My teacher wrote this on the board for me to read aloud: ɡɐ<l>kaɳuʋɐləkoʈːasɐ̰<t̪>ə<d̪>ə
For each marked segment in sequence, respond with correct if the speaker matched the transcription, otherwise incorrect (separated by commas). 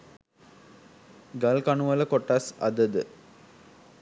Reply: correct, incorrect, correct